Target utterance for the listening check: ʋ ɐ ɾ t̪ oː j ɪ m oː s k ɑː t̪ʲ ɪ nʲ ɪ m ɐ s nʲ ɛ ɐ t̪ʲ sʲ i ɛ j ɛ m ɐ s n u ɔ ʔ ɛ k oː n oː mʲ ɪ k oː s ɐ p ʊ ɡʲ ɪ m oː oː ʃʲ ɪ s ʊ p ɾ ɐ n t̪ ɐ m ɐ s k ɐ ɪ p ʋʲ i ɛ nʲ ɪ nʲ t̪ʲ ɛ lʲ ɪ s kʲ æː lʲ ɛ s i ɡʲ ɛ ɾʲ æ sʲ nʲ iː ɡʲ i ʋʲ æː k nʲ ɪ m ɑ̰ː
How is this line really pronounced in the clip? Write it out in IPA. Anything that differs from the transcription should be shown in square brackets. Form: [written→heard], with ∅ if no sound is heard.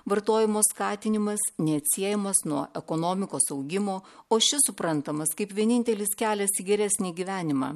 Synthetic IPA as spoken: ʋ ɐ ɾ t̪ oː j ɪ m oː s k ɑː t̪ʲ ɪ nʲ ɪ m ɐ s nʲ ɛ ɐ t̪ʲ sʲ i ɛ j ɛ m ɐ s n u ɔ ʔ ɛ k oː n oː mʲ ɪ k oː s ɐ [p→∅] ʊ ɡʲ ɪ m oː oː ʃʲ ɪ s ʊ p ɾ ɐ n t̪ ɐ m ɐ s k ɐ ɪ p ʋʲ i ɛ nʲ ɪ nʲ t̪ʲ ɛ lʲ ɪ s kʲ æː lʲ ɛ s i ɡʲ ɛ ɾʲ æ sʲ nʲ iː ɡʲ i ʋʲ æː [k→∅] nʲ ɪ m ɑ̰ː